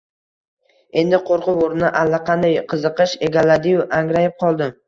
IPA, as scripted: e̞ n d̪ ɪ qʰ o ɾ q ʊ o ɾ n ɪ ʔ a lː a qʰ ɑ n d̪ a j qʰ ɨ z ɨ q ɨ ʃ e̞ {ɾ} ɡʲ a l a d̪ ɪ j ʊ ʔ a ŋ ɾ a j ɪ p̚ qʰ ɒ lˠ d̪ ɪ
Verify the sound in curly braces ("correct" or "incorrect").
incorrect